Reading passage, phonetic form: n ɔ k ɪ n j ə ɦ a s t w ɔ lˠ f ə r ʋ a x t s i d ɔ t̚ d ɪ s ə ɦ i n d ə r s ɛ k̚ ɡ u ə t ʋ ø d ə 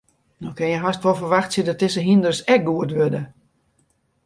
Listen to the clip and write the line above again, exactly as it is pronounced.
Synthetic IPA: n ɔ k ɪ n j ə ɦ a s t ʋ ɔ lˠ f ə r ʋ a x t s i d ɔ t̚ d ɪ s ə ɦ i n d ə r s ɛ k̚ ɡ u ə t ʋ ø d ə